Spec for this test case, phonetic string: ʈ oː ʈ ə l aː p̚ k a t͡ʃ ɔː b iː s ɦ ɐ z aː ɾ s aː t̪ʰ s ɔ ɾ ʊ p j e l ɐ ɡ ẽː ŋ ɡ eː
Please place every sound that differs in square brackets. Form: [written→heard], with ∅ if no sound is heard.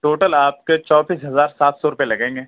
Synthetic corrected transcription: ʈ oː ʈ ə l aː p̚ k [a→e] t͡ʃ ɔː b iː s ɦ ɐ z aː ɾ s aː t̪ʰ s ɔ ɾ ʊ p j e l ɐ ɡ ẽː ŋ ɡ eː